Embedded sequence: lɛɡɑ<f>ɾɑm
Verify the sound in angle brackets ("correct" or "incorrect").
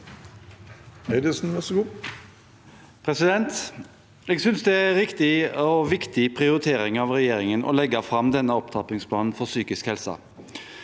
correct